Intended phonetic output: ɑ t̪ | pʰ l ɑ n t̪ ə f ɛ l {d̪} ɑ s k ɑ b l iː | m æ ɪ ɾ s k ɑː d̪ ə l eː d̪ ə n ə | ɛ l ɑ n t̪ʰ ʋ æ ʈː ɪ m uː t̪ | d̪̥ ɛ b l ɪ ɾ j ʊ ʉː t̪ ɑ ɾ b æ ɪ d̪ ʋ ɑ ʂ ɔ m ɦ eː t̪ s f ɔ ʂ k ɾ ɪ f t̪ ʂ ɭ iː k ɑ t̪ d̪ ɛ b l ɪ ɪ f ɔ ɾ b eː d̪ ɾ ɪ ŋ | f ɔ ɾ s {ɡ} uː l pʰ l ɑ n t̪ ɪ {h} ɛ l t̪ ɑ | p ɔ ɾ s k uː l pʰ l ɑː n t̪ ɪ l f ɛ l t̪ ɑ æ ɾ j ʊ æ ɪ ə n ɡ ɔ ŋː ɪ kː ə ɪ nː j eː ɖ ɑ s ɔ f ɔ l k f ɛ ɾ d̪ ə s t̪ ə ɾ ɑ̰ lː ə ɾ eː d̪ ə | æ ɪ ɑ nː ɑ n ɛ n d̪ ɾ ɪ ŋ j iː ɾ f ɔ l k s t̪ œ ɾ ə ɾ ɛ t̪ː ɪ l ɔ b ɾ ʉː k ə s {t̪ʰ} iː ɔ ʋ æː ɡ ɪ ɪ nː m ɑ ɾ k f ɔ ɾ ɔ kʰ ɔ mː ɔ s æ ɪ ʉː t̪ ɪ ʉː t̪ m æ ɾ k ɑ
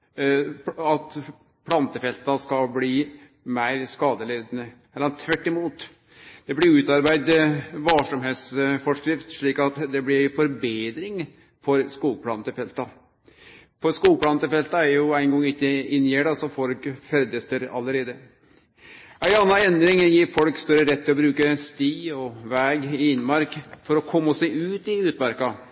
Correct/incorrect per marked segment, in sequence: incorrect: t̪, incorrect: k, incorrect: f, incorrect: t̪

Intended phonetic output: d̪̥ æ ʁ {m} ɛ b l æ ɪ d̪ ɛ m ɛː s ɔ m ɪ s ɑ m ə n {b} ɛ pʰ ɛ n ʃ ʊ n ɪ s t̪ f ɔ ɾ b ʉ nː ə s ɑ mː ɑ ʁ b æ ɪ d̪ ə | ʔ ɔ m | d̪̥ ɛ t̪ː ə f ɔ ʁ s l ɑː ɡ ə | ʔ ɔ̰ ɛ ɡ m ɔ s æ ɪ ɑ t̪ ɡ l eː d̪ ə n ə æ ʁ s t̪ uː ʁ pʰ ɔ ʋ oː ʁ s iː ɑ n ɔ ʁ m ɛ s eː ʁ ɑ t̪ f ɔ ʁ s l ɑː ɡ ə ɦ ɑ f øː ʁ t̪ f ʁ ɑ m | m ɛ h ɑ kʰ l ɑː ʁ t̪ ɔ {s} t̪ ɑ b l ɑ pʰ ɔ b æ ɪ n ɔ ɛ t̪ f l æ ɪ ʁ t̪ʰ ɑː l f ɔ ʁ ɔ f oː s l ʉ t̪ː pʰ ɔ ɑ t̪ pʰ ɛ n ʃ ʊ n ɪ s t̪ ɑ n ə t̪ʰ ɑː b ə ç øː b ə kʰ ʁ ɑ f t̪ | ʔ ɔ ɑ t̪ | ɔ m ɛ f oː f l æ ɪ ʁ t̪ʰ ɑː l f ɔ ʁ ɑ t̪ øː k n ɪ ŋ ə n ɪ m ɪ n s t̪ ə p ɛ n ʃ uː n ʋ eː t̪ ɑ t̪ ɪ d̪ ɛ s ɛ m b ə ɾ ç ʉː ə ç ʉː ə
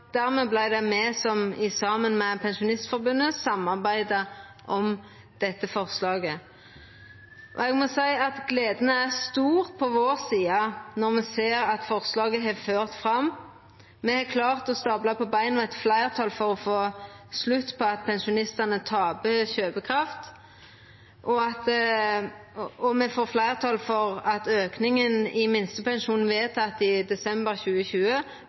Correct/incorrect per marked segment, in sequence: correct, incorrect: m, correct

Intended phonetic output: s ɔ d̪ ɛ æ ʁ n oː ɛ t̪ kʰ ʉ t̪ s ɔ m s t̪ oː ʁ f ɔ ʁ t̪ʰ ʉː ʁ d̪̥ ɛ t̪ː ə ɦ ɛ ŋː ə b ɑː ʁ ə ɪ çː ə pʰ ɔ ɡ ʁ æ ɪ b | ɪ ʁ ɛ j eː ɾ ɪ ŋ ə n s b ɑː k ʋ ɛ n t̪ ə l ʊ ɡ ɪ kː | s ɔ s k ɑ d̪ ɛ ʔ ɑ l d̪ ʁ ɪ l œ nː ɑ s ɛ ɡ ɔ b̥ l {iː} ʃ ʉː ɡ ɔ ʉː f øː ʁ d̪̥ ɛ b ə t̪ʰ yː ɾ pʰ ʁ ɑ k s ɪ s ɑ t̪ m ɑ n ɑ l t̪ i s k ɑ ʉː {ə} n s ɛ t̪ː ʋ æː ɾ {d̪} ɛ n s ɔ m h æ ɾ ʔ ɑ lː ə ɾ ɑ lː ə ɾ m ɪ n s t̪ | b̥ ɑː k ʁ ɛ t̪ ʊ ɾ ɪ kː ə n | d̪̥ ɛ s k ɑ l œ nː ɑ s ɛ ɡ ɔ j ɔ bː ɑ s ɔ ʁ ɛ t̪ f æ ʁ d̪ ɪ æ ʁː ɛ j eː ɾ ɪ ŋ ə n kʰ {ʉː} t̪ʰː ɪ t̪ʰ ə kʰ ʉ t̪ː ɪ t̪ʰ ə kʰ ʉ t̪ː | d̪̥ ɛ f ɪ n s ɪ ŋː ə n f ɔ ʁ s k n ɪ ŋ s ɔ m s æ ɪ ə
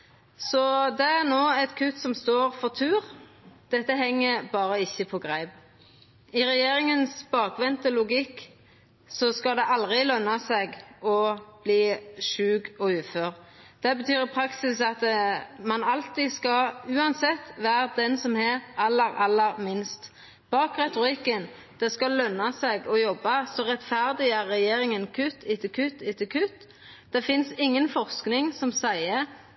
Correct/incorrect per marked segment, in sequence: correct, incorrect: ɑ, correct, incorrect: ʉ

